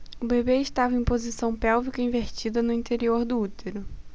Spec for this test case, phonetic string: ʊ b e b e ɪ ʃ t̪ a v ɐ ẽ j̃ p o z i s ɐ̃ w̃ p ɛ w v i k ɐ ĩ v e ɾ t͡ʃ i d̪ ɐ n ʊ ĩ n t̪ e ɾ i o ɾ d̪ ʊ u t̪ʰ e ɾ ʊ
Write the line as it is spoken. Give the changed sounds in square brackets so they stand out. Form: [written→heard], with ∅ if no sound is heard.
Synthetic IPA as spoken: ʊ b e b e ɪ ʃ t̪ a v ɐ ẽ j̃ p o z i s ɐ̃ w̃ p ɛ w v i k ɐ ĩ v e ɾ t͡ʃ i d̪ ɐ n ʊ ĩ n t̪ e ɾ i o ɾ d̪ ʊ u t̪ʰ e ɾ ʊ